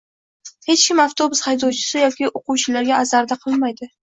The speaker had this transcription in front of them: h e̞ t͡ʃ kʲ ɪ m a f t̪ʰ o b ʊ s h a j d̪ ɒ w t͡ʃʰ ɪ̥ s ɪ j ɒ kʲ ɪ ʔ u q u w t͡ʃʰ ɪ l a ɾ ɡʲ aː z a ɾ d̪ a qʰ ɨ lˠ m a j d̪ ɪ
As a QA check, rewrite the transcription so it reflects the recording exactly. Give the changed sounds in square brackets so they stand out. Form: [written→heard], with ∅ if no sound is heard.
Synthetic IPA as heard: h e̞ t͡ʃ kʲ ɪ m a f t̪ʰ o b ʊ s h a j d̪ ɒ w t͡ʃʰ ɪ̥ s ɪ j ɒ kʲ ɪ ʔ [u→o] q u w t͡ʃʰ ɪ l a ɾ ɡʲ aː z a ɾ d̪ a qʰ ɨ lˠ m a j d̪ ɪ